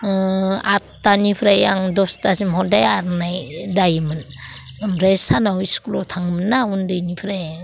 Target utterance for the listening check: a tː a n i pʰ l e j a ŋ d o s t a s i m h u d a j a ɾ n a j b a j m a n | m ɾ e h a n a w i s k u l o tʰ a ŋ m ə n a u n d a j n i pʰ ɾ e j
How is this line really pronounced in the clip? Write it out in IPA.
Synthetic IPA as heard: a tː a n i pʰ ɾ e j a ŋ d o s t a s i m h o d a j a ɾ n a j d a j m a n | m ɾ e s a n a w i s k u l o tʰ a ŋ m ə n a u n d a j n i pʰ ɾ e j